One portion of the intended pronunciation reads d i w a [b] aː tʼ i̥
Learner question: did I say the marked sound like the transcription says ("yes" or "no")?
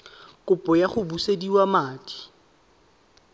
no